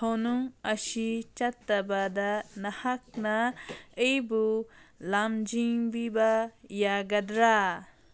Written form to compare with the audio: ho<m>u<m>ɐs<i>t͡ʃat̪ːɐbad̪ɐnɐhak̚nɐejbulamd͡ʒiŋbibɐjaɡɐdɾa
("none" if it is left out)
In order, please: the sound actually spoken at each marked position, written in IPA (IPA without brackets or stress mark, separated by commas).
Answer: n, ŋ, i